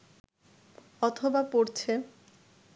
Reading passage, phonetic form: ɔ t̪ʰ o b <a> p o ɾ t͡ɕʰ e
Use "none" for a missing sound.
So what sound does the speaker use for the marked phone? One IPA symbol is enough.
a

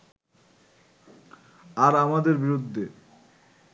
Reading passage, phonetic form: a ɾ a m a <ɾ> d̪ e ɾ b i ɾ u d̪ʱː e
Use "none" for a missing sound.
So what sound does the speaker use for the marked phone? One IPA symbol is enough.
none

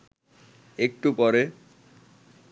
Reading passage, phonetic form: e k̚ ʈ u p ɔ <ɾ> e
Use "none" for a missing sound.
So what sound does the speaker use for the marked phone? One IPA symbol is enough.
ɾ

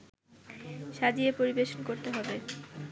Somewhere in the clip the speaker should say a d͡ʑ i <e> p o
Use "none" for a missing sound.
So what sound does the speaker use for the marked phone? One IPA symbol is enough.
e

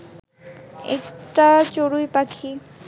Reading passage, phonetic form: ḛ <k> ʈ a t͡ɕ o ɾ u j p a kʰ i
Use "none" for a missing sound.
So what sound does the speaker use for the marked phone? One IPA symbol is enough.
k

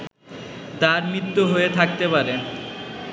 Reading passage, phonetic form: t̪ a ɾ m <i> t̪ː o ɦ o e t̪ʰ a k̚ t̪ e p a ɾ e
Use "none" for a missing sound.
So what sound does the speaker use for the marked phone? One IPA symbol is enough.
i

